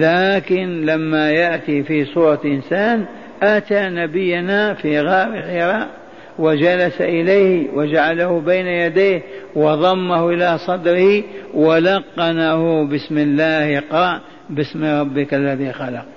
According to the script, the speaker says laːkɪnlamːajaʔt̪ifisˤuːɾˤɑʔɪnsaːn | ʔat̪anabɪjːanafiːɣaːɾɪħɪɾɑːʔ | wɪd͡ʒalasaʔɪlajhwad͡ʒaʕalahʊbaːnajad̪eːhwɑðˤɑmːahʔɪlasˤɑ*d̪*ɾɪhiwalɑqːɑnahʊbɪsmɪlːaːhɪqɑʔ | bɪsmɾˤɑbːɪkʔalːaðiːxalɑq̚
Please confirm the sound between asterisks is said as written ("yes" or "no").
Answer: yes